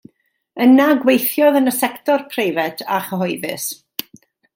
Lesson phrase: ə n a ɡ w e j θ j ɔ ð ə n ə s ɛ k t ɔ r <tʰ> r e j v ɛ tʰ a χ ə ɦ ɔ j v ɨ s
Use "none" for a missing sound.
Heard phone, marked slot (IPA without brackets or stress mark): pʰ